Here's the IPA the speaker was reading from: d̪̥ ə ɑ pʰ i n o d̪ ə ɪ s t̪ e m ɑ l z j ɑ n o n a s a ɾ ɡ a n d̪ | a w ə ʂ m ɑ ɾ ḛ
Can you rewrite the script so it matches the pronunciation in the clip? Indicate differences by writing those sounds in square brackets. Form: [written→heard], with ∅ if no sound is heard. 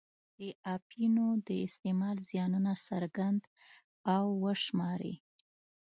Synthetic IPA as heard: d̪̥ ə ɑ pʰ i n o d̪ ə ɪ s t̪ e m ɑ l z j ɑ n [o→u] n a s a ɾ ɡ a n d̪ | a [w→wː] ə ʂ m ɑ ɾ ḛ